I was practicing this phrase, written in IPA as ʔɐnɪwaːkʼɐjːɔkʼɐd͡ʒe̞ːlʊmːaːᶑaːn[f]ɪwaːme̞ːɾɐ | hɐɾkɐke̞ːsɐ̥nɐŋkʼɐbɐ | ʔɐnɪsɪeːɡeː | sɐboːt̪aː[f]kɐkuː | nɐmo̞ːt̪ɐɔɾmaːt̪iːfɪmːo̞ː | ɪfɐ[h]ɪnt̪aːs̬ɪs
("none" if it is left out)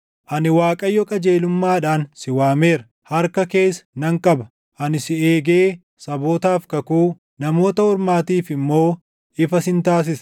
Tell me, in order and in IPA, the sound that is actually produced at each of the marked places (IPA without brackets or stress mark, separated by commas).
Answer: s, f, s